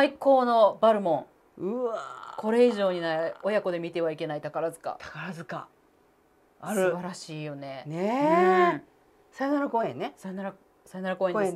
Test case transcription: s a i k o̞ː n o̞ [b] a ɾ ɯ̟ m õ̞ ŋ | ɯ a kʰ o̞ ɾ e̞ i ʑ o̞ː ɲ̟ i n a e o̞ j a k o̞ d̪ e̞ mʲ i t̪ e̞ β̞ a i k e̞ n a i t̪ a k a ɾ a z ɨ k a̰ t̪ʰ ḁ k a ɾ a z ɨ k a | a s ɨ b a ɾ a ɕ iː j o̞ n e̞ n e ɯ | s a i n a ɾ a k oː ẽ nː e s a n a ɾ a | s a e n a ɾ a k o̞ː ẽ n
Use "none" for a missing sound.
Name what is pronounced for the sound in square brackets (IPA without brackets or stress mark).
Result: b